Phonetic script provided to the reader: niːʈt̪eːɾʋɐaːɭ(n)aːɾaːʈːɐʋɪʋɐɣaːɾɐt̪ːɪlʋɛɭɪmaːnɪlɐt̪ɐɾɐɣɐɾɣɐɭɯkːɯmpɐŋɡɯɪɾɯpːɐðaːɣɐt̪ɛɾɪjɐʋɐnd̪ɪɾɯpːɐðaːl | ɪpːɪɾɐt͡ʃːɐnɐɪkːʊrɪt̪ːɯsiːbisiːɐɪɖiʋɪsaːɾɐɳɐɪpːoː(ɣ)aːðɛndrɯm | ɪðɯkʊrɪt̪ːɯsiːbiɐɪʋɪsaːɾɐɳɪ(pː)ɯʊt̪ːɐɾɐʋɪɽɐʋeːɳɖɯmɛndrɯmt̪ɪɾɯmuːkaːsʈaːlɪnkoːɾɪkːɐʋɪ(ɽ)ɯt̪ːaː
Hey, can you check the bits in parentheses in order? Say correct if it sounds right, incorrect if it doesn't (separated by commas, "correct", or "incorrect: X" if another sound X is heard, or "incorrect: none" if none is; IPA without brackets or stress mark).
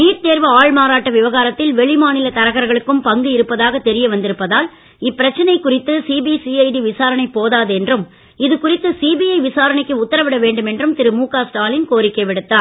incorrect: m, incorrect: ð, incorrect: kː, correct